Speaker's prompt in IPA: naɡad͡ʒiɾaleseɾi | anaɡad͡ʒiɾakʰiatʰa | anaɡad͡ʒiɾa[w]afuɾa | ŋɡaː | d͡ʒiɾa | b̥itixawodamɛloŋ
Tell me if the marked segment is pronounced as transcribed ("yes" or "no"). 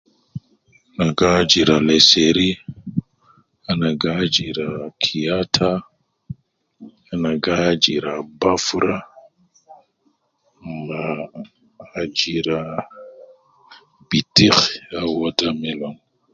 no